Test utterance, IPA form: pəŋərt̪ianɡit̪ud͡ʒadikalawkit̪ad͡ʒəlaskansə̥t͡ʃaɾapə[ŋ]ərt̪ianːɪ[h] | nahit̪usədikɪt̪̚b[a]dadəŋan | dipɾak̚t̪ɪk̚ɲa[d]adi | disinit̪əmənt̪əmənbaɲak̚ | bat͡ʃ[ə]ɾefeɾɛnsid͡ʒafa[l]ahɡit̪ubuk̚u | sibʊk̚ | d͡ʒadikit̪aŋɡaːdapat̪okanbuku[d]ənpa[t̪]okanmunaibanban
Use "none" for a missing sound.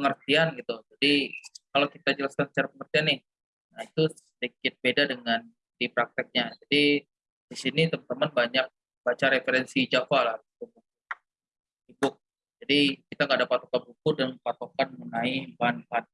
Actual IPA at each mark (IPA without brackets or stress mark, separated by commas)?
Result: ŋ, h, e, d͡ʒ, a, l, d, t̪